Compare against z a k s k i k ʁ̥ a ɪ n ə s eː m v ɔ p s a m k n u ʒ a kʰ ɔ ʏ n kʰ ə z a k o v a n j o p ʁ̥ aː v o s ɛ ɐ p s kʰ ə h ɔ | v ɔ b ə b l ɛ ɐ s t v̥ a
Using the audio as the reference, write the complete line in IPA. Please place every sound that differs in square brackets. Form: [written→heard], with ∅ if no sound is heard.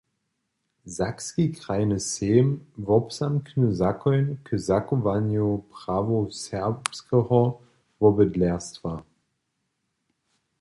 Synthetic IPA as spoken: z a k s k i k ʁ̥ a ɪ n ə s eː m v ɔ p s a m k n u [ʒ→z] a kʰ ɔ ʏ n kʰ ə z a k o v a n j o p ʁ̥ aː v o s ɛ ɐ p s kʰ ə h ɔ | v ɔ b ə [b→d] l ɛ ɐ s t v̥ a